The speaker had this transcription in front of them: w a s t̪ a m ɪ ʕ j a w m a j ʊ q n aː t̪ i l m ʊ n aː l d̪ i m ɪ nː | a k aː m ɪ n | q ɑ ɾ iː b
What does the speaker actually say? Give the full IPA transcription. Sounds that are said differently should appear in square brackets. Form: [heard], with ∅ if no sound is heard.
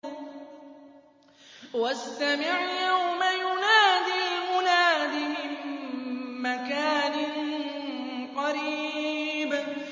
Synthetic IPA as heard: w a s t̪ a m ɪ ʕ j a w m a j ʊ [∅] n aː [d̪] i l m ʊ n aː [∅] d̪ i m ɪ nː | a k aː [n] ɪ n | q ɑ ɾ iː b